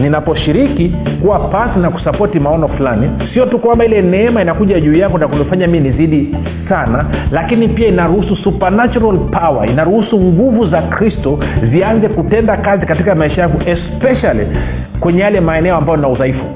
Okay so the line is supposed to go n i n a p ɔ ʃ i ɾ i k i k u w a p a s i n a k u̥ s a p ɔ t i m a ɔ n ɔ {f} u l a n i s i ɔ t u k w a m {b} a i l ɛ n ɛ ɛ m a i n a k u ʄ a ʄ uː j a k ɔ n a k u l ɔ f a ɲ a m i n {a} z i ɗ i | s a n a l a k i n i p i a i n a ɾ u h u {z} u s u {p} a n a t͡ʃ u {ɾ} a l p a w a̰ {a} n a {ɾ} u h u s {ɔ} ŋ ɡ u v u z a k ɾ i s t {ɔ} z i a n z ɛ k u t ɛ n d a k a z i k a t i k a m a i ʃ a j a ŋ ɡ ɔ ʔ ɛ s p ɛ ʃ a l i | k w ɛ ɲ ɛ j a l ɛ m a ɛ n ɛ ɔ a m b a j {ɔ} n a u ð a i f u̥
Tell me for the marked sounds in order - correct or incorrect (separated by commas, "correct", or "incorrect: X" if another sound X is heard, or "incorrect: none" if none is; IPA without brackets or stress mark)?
correct, correct, incorrect: i, incorrect: s, correct, correct, incorrect: i, correct, incorrect: u, correct, correct